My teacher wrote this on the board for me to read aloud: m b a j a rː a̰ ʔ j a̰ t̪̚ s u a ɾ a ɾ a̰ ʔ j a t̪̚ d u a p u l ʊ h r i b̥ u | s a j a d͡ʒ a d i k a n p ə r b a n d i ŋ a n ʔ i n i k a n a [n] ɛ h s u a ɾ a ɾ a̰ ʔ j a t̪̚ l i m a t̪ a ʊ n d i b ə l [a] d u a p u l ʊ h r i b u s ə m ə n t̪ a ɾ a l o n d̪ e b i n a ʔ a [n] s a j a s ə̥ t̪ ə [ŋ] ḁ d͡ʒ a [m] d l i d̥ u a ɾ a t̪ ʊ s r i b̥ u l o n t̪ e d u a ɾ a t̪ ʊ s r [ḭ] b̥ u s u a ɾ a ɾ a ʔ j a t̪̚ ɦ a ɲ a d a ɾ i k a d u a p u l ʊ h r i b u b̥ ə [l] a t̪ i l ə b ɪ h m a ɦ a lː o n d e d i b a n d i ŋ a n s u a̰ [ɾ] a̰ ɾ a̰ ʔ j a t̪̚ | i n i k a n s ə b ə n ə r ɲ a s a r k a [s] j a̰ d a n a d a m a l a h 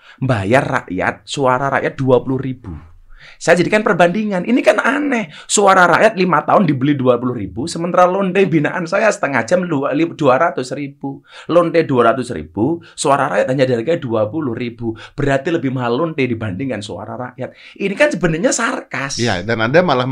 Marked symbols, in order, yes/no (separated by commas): yes, no, yes, yes, yes, yes, no, yes, yes